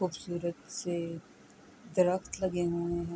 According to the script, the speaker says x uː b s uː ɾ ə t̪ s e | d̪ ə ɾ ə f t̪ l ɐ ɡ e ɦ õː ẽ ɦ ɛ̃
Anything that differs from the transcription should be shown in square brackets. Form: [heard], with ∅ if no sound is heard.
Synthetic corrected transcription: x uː b s uː ɾ ə t̪ s e | d̪ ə ɾ ə [x] t̪ l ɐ ɡ e ɦ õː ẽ ɦ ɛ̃